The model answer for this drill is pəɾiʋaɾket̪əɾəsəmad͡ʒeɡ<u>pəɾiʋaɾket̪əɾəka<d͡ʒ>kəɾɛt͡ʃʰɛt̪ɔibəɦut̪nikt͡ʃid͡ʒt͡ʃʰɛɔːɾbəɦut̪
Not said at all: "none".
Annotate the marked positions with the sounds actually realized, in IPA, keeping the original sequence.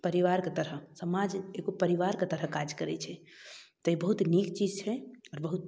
o, d͡ʒ

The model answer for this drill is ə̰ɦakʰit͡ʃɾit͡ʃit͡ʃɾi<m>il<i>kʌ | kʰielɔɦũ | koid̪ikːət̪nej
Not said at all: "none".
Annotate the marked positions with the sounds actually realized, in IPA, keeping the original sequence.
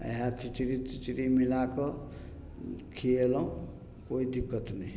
m, a

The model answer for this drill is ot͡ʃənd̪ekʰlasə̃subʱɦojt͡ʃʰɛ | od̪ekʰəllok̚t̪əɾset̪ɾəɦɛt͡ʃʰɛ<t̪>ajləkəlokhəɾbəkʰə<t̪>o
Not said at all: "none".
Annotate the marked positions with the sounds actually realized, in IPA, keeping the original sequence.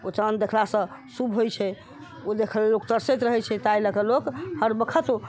t̪, t̪

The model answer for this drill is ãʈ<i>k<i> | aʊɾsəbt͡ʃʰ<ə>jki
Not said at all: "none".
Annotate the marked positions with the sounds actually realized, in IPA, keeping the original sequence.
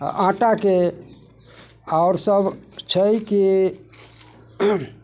a, e, ə

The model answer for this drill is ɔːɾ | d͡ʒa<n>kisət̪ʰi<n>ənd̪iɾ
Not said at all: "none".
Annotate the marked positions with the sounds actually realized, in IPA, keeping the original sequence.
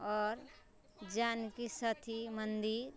n, m

